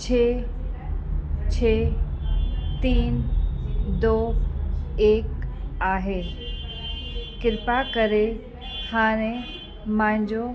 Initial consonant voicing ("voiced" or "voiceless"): voiceless